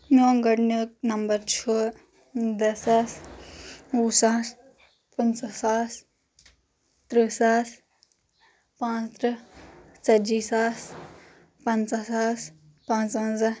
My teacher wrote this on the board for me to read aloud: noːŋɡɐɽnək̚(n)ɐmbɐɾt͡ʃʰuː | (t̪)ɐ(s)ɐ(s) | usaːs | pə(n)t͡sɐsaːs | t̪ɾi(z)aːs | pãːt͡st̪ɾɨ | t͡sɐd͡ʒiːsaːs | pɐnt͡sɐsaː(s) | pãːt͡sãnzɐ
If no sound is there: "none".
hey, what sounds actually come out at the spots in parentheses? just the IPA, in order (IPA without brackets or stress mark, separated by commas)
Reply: n, d̪, s, s, n, s, s